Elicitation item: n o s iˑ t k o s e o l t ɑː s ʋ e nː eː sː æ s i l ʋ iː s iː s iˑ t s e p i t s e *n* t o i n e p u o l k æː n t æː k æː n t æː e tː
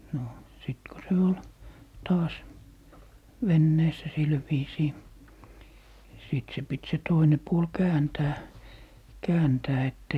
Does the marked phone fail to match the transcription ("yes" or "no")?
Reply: yes